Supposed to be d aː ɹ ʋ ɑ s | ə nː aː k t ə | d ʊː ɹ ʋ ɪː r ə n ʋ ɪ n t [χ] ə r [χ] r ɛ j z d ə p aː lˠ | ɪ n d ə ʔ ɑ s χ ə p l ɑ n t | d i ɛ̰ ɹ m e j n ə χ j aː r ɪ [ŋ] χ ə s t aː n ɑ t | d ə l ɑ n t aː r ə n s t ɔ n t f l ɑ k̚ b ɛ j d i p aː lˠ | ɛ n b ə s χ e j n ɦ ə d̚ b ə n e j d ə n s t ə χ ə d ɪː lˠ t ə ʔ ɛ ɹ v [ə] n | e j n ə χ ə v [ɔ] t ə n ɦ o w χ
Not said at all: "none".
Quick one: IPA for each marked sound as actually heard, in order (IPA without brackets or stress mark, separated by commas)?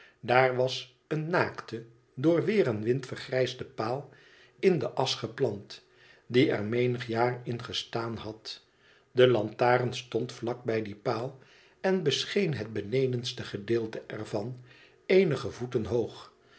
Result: f, χ, n, ɑ, u